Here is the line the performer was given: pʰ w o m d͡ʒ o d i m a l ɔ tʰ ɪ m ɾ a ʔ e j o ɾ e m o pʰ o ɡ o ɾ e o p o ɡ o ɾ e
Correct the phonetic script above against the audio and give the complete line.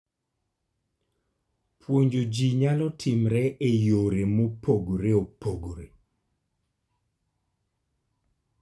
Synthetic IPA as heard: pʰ w o ɲ d͡ʒ o d͡ʒ i ɲ a l ɔ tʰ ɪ m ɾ ɛ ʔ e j o ɾ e m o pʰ o ɡ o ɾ e o p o ɡ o ɾ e